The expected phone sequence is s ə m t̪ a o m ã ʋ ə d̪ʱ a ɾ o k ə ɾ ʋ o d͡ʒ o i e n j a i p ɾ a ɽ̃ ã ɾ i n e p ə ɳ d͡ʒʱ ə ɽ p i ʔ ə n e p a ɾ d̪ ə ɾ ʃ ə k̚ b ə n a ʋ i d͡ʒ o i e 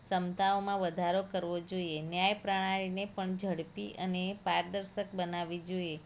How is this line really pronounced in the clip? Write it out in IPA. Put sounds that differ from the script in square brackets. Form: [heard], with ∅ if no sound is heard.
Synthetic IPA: s ə m t̪ a o m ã ʋ ə d̪ʱ a ɾ o k ə ɾ ʋ o d͡ʒ o i e n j a [j] p ɾ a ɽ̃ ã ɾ i n e p ə ɳ d͡ʒʱ ə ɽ p i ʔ ə n e p a ɾ d̪ ə ɾ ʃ ə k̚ b ə n a ʋ i d͡ʒ o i e